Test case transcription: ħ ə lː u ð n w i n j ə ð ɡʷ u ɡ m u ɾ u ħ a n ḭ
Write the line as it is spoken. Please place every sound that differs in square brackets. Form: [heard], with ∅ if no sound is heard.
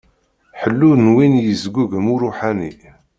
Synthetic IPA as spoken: ħ ə lː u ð n w i n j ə [z] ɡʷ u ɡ m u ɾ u ħ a n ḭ